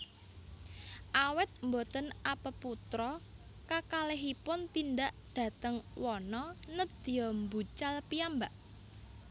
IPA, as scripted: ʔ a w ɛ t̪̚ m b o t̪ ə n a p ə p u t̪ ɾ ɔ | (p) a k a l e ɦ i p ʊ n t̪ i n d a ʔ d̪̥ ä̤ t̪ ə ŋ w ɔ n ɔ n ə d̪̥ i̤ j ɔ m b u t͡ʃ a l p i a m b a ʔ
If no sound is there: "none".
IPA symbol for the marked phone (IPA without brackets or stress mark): k